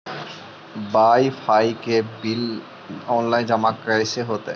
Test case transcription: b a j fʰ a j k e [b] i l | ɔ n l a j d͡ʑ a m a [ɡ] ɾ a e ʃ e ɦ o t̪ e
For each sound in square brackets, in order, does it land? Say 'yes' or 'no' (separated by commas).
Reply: yes, no